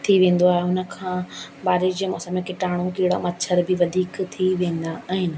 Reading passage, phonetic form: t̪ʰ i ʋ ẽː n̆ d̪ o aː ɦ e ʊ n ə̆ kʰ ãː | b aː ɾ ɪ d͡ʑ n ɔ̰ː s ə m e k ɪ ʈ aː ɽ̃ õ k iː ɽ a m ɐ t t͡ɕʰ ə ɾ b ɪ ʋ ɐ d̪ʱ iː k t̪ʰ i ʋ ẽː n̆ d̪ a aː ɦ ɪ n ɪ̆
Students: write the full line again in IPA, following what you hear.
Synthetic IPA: t̪ʰ i ʋ ẽː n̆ d̪ o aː ɦ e ʊ n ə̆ kʰ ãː | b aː ɾ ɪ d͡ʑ m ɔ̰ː s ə m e k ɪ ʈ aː ɽ̃ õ k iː ɽ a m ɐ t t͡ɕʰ ə ɾ b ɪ ʋ ɐ d̪ʱ iː k t̪ʰ i ʋ ẽː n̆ d̪ a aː ɦ ɪ n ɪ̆